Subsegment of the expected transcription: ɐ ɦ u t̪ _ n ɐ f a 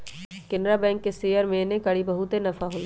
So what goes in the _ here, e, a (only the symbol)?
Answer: e